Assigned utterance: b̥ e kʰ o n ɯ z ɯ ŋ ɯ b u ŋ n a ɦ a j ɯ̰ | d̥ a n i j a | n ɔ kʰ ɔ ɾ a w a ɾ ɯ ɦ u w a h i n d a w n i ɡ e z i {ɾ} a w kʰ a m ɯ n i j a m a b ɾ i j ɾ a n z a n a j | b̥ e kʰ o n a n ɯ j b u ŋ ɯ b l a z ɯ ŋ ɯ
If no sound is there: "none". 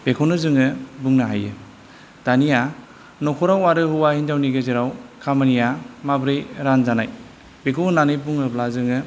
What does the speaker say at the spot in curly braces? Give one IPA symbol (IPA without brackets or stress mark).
ɾ